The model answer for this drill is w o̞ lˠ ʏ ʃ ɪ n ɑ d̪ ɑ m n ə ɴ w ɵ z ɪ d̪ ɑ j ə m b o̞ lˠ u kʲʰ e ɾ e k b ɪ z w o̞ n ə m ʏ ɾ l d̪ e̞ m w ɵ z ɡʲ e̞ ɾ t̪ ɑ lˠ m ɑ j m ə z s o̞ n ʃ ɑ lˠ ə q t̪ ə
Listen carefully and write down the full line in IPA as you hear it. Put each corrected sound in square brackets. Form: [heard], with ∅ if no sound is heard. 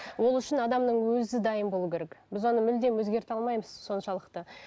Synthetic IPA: w o̞ lˠ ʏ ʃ ɪ n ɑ d̪ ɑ m n ə ɴ w ɵ z ɪ d̪ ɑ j ə m b o̞ lˠ u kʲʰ e ɾ e k b ɪ z w o̞ n ə m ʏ [∅] l d̪ e̞ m w ɵ z ɡʲ e̞ ɾ t̪ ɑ lˠ m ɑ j m ə z s o̞ n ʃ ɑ lˠ ə q t̪ ə